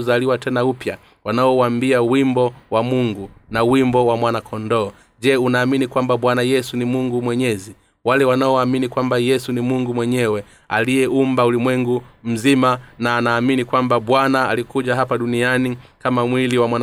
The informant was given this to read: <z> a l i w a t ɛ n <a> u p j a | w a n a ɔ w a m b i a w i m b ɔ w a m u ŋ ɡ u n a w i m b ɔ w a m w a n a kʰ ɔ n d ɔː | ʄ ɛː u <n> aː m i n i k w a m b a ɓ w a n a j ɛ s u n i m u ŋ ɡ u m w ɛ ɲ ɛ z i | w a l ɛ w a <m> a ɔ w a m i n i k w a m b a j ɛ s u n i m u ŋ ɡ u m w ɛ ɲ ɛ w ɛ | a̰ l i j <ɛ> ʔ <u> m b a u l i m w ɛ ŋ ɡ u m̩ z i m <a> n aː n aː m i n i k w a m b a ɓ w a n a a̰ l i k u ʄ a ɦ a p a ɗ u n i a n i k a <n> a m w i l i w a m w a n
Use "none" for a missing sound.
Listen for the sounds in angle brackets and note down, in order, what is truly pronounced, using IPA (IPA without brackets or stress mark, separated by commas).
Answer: z, a, n, n, ɛ, u, a, m